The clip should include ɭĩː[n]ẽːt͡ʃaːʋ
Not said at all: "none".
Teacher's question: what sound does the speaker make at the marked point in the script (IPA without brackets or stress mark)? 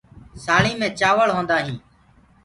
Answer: m